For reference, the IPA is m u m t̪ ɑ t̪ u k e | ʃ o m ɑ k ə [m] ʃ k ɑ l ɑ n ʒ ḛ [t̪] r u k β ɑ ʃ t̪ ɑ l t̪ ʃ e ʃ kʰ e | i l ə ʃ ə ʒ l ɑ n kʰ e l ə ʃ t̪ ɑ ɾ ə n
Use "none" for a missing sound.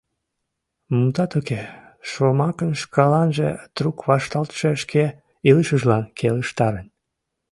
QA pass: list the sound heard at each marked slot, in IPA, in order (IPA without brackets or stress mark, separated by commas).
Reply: n, t̪